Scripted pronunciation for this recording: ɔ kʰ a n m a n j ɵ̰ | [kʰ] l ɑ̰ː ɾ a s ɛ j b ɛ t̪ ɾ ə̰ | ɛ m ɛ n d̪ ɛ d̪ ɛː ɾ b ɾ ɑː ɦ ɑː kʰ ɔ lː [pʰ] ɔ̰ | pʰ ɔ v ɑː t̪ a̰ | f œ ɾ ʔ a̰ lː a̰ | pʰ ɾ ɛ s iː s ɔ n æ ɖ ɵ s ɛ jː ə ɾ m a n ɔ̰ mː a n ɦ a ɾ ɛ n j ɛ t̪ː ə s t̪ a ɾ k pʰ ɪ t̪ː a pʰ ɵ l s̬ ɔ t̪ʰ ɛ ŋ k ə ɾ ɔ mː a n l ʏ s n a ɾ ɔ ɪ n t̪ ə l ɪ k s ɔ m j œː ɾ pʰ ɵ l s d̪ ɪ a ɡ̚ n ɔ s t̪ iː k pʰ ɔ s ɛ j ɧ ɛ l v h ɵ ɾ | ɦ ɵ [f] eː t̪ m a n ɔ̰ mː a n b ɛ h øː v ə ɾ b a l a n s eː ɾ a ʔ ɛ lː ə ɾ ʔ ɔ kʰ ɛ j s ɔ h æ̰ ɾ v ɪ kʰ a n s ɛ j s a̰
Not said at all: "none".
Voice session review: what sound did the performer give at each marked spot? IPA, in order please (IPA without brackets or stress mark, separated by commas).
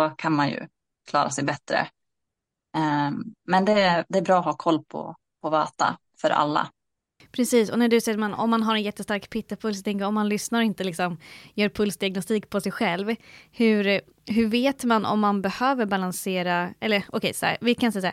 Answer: kʰ, pʰ, v